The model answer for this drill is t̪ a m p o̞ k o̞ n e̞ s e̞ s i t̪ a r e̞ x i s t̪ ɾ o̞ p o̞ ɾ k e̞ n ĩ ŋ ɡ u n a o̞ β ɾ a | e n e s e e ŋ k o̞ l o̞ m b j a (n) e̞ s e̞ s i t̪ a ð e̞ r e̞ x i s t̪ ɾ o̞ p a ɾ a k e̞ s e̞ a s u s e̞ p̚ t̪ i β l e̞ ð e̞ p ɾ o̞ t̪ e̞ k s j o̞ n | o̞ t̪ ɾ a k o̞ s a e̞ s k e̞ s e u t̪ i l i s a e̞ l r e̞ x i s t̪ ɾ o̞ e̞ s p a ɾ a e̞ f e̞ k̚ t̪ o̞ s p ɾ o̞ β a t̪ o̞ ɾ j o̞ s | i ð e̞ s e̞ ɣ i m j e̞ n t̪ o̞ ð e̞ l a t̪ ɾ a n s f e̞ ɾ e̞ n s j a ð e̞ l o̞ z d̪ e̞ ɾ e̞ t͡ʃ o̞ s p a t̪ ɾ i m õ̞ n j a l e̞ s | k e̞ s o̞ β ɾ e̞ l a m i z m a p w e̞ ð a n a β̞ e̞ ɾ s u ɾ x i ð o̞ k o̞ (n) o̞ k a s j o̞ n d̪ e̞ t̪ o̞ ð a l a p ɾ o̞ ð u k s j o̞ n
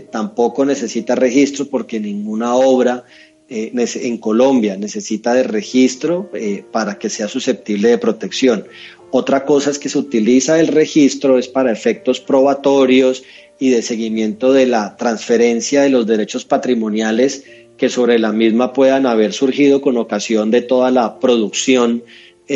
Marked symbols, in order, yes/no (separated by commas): yes, yes